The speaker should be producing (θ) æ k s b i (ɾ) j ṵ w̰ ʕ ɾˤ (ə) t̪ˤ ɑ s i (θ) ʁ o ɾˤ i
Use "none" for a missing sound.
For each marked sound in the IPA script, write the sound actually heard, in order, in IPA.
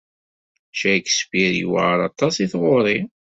ʃ, ɾ, ɑ, θ

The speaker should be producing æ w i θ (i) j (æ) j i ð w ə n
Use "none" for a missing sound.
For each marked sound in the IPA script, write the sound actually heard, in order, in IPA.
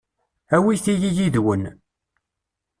i, i

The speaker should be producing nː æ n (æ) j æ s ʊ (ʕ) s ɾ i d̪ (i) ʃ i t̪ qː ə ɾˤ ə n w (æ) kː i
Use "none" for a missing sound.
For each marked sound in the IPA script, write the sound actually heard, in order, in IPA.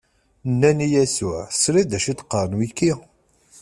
i, ʕ, æ, i

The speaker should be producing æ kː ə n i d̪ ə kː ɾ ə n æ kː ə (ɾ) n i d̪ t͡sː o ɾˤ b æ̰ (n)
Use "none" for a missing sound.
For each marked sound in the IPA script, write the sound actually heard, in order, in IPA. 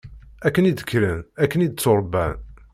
none, n

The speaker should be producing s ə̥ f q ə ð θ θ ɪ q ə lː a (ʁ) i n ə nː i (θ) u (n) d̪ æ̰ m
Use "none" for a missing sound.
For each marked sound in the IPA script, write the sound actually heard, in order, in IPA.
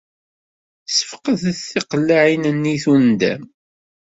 ʕ, θ, n

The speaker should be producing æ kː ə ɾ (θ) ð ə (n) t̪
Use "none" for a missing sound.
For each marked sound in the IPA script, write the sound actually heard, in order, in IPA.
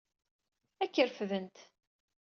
f, n

